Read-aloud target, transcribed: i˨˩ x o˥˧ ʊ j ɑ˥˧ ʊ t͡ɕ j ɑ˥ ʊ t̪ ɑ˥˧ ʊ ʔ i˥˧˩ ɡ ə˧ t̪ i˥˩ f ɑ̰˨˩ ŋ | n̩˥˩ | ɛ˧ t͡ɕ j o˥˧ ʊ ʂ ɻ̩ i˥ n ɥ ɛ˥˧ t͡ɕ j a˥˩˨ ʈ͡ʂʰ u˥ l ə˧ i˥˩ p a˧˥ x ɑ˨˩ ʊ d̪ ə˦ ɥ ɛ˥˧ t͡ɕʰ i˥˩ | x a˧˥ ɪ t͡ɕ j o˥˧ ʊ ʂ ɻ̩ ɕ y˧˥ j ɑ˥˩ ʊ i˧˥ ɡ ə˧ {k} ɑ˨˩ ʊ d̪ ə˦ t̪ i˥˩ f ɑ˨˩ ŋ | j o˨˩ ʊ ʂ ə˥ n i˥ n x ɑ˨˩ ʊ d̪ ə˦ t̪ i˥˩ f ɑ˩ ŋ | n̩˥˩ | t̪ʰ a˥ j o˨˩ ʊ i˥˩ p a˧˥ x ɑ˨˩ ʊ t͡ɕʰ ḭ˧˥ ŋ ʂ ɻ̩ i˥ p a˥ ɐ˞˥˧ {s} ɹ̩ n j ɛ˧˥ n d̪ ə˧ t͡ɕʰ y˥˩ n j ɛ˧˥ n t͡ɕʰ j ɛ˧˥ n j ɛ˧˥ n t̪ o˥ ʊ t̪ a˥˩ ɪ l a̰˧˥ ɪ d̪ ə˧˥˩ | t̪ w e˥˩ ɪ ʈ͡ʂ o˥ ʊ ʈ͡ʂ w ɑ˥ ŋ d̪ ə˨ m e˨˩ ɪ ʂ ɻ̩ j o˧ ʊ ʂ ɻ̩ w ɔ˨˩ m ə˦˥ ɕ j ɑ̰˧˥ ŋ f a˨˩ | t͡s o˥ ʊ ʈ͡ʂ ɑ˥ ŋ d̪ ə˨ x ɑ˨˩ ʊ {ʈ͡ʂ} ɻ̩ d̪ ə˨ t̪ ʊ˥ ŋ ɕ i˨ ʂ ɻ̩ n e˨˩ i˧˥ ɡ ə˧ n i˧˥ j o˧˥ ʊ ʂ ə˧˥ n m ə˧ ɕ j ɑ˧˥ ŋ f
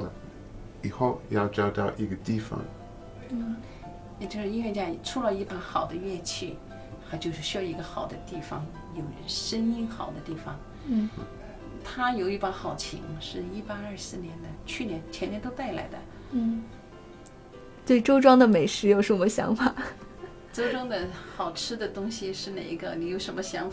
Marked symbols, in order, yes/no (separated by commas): no, yes, no